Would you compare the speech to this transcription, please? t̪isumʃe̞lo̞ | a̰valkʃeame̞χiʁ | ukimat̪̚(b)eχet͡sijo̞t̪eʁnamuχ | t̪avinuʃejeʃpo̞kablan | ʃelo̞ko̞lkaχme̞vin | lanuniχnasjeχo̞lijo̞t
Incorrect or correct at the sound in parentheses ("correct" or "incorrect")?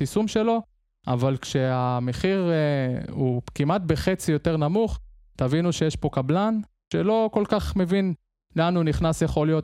correct